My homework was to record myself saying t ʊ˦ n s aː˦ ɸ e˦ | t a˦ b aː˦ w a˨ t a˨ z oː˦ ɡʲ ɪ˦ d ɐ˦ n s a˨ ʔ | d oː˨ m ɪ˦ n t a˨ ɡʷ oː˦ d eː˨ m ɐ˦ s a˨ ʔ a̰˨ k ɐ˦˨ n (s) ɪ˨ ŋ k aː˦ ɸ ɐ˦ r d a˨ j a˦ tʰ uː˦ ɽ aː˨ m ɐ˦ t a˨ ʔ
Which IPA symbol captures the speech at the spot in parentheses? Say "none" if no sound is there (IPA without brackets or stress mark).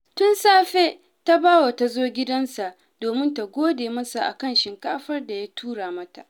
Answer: ʃ